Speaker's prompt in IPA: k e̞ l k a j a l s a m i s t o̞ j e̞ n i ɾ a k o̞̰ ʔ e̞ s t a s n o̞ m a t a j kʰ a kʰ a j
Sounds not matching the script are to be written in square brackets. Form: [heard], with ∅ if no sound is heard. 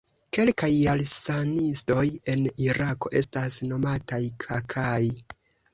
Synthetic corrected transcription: k e̞ l k a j a l s a [n] i s t o̞ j e̞ n i ɾ a k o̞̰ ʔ e̞ s t a s n o̞ m a t a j kʰ a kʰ a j